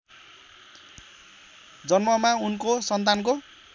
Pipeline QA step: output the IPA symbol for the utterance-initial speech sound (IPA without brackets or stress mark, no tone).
d͡z